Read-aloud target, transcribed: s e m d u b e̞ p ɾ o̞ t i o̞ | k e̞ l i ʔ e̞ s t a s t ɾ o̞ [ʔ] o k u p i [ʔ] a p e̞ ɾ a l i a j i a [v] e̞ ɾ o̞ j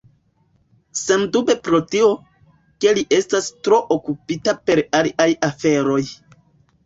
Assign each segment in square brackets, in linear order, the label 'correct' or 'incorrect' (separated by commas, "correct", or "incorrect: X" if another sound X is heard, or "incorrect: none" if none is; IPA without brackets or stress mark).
correct, incorrect: t, incorrect: f